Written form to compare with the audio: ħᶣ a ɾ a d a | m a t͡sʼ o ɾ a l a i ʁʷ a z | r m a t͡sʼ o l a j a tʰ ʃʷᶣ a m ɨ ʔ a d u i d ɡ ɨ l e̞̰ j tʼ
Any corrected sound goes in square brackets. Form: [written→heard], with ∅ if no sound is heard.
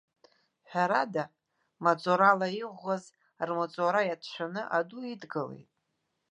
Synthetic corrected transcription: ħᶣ a ɾ a d a | m a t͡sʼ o ɾ a l a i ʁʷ a z | r m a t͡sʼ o [l→ɾ] a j a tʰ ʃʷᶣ a [m→n] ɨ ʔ a d u i d ɡ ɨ l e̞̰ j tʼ